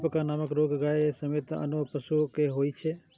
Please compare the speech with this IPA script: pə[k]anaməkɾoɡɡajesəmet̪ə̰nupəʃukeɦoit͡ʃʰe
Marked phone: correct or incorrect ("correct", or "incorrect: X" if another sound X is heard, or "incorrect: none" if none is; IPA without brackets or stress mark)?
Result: correct